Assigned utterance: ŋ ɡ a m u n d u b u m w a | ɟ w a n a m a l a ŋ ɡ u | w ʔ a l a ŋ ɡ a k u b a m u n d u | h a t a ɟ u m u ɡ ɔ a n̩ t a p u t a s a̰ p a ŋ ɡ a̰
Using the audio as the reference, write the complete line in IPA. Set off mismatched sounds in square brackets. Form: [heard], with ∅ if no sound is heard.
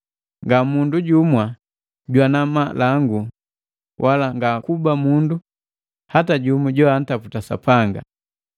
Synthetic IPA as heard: ŋ ɡ a m u n d u [ɟ] u m w a | ɟ w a n a m a l a ŋ ɡ u | w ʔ a l a ŋ ɡ a k u b a m u n d u | h a t a ɟ u m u [ɟ] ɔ a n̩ t a p u t a s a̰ p a ŋ ɡ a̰